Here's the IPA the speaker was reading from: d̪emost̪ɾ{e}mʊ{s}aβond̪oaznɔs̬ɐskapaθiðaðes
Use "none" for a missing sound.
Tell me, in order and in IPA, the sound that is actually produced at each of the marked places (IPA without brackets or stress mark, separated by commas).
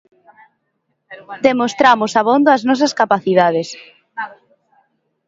a, s